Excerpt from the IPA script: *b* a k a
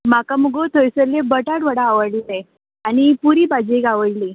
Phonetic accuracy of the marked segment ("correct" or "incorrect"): incorrect